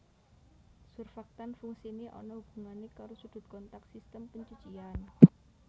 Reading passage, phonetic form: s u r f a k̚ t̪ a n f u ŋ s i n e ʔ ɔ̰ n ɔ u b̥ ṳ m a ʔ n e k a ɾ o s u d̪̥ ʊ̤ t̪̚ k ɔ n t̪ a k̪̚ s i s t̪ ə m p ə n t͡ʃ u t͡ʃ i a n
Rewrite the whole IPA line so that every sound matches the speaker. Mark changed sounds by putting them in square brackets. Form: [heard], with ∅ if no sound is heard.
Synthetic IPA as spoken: s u r f a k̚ t̪ a n f u ŋ s i n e ʔ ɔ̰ n ɔ u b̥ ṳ [ŋ] a [∅] n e k a ɾ o s u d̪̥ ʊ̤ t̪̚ k ɔ n t̪ a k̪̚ s i s t̪ ə m p ə [ɲ] t͡ʃ u t͡ʃ i a n